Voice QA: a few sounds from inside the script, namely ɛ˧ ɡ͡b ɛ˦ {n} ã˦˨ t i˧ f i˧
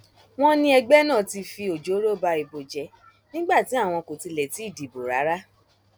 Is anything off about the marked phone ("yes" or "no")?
no